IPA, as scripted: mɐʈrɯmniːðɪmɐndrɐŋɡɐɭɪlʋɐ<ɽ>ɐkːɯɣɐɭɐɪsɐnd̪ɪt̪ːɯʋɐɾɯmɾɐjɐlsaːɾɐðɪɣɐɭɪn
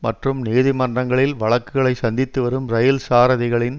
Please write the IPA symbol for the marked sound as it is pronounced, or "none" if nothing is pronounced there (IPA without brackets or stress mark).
ɭ